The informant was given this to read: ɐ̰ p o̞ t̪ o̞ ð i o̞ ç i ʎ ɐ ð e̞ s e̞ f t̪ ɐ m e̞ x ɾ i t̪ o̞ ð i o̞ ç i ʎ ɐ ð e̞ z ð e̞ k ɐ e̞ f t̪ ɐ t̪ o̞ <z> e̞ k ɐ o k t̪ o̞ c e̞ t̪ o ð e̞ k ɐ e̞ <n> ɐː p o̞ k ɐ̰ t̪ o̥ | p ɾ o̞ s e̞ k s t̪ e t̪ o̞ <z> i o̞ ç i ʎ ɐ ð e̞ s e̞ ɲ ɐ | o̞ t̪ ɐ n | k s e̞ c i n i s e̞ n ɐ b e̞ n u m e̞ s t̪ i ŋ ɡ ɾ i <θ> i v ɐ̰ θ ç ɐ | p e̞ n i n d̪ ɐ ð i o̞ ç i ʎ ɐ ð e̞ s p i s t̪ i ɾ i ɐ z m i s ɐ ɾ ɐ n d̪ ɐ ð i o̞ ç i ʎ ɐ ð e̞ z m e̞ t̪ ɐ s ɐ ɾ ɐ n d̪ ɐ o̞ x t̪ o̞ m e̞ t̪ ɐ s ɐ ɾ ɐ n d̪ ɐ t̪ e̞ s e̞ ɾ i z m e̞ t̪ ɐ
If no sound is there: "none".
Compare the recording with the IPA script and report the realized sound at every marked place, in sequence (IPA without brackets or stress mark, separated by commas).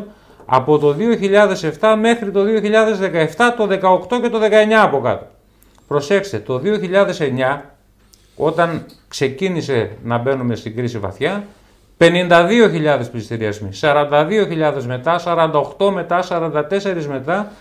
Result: ð, ɲ, ð, s